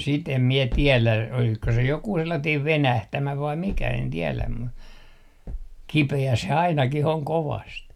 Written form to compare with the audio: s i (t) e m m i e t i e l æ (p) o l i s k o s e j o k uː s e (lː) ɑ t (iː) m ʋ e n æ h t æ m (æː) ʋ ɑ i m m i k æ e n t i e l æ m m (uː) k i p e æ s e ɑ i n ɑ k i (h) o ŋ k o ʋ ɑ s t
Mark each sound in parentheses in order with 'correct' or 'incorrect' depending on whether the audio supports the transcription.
correct, incorrect, correct, correct, incorrect, incorrect, correct

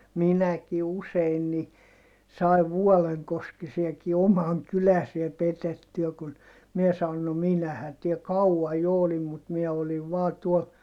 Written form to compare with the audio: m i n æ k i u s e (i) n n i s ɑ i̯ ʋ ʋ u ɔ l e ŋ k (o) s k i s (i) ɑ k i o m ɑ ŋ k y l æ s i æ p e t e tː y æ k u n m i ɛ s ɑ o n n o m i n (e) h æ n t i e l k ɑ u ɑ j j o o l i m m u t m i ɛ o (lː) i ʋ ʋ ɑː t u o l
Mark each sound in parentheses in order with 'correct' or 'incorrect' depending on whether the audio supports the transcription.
correct, correct, correct, incorrect, incorrect

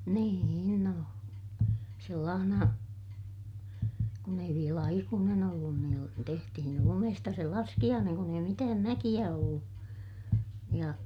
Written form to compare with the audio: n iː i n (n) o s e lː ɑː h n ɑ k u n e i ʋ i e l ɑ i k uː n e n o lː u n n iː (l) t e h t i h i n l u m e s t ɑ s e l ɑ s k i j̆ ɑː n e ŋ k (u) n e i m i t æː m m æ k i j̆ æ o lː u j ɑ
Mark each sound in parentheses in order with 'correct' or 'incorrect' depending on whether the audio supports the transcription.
correct, correct, correct

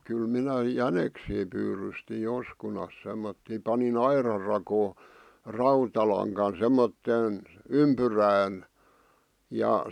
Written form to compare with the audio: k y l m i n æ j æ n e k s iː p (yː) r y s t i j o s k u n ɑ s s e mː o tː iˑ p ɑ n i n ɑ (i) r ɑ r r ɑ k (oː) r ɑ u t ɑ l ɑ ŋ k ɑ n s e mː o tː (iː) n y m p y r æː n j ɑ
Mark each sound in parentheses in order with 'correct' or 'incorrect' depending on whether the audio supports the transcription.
correct, correct, correct, incorrect

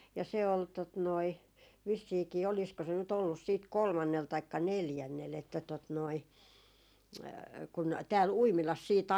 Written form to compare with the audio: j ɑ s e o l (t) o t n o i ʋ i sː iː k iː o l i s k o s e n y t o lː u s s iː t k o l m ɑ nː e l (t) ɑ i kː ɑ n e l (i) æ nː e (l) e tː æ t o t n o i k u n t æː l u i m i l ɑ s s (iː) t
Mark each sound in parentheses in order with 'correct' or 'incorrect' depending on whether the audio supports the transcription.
correct, correct, incorrect, correct, correct

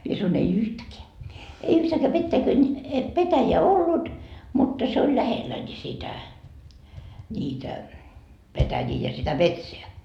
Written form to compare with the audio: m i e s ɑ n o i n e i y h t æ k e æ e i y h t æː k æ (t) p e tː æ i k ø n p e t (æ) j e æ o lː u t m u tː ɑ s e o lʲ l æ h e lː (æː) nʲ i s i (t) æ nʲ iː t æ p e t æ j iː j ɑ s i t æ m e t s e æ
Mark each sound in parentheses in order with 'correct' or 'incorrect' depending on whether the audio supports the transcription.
incorrect, correct, incorrect, correct

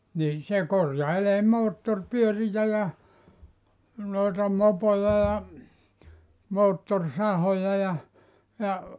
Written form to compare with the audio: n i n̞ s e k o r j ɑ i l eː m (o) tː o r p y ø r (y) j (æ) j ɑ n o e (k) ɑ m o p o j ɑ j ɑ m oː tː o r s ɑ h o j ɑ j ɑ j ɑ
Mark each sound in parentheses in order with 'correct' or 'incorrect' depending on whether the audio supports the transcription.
incorrect, incorrect, correct, incorrect

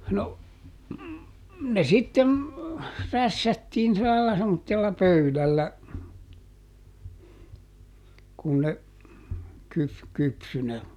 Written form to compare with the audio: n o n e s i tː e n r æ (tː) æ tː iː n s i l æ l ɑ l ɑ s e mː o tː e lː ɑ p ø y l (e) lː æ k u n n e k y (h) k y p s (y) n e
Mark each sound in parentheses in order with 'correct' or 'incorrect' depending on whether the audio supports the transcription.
incorrect, incorrect, incorrect, correct

